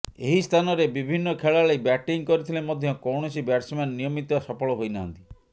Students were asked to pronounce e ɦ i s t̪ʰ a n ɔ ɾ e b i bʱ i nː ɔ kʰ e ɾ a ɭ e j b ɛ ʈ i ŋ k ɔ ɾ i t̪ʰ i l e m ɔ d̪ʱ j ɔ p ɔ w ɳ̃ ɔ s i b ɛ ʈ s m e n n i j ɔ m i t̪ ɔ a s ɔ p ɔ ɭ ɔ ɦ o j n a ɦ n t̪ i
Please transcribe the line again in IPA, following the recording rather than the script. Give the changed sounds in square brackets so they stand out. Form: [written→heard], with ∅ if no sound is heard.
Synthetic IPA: e ɦ i s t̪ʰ a n ɔ ɾ e b i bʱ i nː ɔ kʰ e [ɾ→ɭ] a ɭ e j b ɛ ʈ i ŋ k ɔ ɾ i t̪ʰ i l e m ɔ d̪ʱ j ɔ [p→k] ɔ w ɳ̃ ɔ s i b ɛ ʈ s m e n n i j ɔ m i t̪ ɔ a s ɔ p ɔ ɭ ɔ ɦ o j n a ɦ n t̪ i